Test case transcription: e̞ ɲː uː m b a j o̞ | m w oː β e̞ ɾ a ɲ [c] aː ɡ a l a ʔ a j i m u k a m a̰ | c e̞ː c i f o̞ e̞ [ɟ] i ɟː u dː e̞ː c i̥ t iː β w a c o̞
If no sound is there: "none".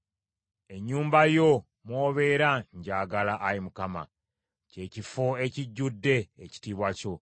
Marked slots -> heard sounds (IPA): ɟ, c

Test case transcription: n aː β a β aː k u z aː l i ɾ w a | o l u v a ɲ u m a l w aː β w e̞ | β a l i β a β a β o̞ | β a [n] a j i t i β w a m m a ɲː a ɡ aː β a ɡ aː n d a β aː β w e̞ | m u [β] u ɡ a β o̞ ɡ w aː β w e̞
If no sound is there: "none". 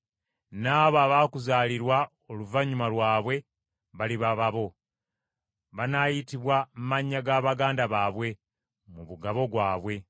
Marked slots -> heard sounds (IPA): n, β

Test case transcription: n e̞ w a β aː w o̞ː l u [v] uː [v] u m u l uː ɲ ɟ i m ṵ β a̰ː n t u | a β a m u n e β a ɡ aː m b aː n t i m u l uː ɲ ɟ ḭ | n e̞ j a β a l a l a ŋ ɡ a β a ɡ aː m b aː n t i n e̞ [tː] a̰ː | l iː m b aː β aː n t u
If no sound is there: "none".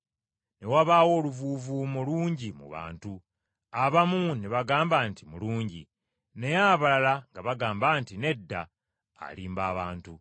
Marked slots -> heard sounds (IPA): v, v, dː

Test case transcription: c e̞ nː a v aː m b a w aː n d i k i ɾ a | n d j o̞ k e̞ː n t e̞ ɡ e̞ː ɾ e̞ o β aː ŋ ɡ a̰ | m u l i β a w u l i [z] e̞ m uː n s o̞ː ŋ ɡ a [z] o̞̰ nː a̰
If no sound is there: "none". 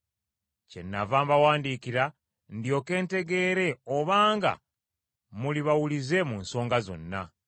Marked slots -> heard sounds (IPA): z, z

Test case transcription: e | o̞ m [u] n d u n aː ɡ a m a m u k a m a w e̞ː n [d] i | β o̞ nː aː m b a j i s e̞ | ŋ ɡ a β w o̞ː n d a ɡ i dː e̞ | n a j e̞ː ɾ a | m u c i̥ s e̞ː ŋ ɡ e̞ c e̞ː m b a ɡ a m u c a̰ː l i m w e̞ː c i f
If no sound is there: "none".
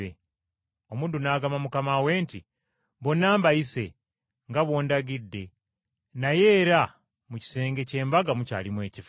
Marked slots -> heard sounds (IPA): uː, t

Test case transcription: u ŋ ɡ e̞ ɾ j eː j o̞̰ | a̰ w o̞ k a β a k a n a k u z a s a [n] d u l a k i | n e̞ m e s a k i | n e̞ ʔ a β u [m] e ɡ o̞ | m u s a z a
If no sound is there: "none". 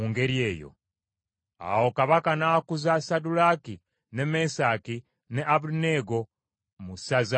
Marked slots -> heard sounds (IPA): none, n

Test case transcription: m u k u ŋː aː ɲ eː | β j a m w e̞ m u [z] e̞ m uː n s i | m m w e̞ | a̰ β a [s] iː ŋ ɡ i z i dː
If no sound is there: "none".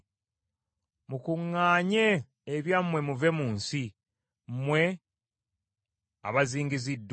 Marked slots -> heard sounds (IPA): v, z

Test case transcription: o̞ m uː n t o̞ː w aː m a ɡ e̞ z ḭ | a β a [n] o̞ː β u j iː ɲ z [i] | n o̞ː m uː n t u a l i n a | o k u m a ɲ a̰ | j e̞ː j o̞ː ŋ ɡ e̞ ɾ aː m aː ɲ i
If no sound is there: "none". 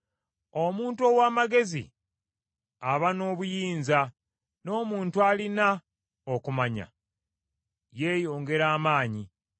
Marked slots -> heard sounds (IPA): n, a

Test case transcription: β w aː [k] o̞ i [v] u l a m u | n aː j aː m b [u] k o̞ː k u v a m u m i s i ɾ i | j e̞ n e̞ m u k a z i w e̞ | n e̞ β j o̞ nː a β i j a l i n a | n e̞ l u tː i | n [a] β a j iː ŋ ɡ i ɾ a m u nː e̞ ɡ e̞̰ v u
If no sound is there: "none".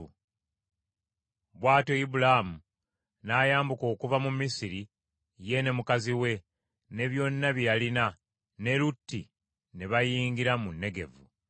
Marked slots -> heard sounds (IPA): t, b, u, e

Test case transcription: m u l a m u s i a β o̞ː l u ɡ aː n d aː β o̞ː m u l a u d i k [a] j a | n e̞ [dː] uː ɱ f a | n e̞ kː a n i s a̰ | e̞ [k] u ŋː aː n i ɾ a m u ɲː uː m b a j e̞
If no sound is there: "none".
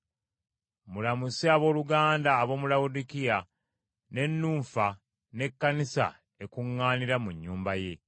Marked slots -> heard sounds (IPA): i, nː, k

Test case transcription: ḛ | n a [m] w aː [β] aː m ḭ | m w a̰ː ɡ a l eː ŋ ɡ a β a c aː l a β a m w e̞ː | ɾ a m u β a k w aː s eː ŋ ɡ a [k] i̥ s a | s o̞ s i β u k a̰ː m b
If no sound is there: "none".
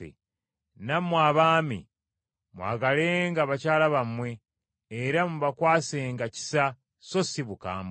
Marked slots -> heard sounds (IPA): m, β, c

